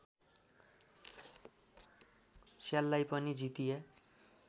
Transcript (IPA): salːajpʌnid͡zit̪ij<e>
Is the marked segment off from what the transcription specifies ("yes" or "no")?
no